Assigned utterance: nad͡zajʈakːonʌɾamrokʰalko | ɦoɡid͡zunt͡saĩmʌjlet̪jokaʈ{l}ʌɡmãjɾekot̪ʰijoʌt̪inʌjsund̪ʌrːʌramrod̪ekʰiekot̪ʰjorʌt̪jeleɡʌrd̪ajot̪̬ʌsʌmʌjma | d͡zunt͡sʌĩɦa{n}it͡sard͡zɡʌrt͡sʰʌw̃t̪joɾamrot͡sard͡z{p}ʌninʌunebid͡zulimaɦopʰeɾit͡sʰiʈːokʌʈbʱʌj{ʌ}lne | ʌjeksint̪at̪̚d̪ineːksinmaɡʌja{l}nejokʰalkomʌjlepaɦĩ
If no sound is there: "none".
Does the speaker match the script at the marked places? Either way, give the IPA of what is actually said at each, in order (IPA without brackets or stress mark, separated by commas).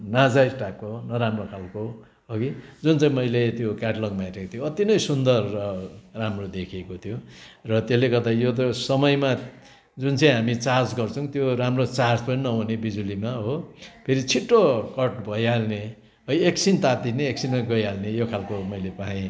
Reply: l, m, p, a, l